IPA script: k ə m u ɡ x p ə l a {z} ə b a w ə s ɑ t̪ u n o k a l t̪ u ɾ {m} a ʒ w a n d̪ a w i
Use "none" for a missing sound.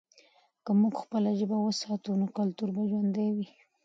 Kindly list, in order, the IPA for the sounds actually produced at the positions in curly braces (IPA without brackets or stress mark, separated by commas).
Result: ʒ, b